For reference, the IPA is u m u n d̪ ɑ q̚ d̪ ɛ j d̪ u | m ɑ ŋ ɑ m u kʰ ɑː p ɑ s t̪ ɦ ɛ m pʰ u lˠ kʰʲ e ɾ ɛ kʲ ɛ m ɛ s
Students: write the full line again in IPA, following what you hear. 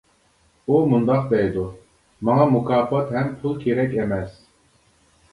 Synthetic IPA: u m u n d̪ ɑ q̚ d̪ ɛ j d̪ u | m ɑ ŋ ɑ m u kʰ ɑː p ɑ t̪ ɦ ɛ m pʰ u lˠ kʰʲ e ɾ ɛ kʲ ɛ m ɛ s